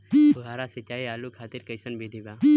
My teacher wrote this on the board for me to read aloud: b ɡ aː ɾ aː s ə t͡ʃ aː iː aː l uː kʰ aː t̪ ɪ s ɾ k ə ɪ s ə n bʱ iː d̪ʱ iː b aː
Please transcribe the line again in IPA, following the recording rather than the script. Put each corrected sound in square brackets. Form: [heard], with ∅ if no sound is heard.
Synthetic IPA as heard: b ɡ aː ɾ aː s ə t͡ʃ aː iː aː l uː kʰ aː t̪ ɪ [∅] ɾ k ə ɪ s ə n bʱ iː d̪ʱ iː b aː

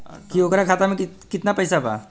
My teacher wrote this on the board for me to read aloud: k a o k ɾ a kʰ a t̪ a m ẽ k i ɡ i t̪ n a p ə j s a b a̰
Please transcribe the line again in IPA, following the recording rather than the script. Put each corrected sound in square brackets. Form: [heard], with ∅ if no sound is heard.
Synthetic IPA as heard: k [i] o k ɾ a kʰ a t̪ a m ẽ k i [k] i t̪ n a p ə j s a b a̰

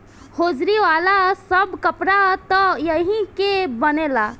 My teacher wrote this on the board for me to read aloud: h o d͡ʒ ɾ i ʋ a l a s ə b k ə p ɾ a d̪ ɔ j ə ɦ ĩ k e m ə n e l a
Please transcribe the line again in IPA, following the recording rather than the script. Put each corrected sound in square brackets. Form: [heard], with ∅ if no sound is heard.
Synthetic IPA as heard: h o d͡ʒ ɾ i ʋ a l a s ə b k ə p ɾ a [t̪] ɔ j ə ɦ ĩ k e [b] ə n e l a

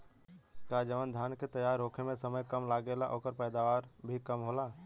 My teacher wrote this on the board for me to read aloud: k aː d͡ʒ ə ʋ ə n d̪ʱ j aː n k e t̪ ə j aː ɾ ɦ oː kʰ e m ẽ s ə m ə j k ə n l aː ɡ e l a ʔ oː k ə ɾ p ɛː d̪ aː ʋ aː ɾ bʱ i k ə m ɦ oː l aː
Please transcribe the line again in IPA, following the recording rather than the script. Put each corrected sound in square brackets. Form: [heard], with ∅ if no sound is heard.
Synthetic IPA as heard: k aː d͡ʒ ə ʋ ə n d̪ʱ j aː n k e t̪ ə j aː ɾ ɦ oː kʰ e m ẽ s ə m ə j k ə [m] l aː ɡ e l a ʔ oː k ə ɾ p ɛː d̪ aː ʋ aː ɾ bʱ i k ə m ɦ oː l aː

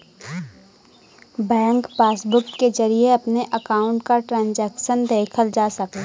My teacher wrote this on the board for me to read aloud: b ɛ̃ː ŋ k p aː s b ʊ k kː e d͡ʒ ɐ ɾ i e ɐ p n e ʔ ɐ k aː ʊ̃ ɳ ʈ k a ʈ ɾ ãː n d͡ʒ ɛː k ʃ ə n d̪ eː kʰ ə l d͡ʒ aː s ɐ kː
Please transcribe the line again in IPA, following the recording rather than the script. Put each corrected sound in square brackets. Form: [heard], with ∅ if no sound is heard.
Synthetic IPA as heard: b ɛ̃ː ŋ k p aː s b ʊ k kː e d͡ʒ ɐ ɾ i e ɐ p n e ʔ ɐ k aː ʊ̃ ɳ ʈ k a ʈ ɾ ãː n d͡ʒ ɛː k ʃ ə n d̪ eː kʰ ə l d͡ʒ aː s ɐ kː

